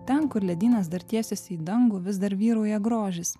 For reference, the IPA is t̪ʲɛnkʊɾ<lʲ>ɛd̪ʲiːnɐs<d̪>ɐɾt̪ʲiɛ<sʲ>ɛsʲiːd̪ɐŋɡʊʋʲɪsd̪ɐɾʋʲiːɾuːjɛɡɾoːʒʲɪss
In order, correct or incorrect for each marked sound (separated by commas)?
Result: correct, correct, correct